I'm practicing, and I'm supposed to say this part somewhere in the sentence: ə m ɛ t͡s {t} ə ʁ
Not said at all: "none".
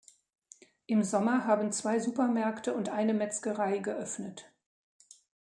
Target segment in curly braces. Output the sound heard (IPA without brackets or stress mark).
k